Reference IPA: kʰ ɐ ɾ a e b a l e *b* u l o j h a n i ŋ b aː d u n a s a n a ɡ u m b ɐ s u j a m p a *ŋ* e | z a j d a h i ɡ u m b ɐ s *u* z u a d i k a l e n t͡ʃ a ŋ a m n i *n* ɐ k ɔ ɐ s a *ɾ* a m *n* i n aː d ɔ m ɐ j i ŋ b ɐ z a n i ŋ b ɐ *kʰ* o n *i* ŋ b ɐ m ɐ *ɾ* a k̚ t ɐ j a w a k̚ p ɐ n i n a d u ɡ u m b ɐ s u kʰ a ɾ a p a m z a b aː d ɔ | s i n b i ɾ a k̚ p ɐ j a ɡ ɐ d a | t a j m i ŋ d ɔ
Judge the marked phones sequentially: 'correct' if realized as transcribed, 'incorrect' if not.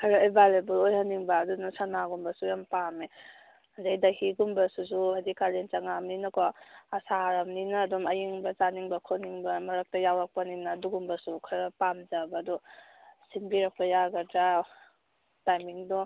correct, incorrect: m, correct, correct, correct, correct, correct, correct, correct

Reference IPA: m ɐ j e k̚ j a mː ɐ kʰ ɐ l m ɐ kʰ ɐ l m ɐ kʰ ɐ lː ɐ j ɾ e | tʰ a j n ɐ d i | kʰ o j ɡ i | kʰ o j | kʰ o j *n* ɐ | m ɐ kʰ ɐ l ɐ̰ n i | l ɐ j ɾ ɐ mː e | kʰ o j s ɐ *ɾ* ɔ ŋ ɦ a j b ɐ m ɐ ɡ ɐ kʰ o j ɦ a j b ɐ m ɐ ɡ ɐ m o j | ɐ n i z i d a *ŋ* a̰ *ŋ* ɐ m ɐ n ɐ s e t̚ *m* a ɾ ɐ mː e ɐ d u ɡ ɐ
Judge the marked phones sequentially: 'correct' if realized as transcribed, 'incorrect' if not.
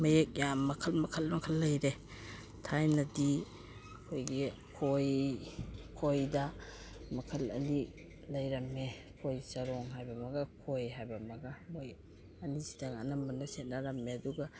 incorrect: d, correct, correct, incorrect: n, incorrect: n

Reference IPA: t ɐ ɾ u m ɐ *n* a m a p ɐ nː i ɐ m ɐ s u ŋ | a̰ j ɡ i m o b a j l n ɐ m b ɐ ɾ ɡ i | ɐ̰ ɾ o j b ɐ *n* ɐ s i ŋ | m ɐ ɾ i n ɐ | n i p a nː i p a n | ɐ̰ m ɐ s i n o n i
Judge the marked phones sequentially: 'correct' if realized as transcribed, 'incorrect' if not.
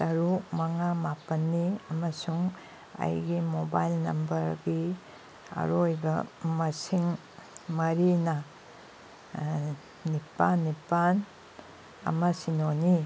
incorrect: ŋ, incorrect: m

